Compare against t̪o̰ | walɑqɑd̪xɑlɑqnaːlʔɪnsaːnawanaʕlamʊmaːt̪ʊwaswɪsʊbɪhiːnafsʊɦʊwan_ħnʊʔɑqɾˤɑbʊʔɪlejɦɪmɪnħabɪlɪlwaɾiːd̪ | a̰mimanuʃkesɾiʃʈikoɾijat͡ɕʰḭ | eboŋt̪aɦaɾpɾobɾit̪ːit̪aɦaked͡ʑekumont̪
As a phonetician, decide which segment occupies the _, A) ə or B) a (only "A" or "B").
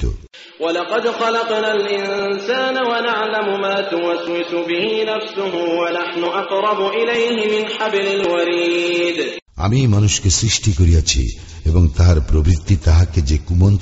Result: B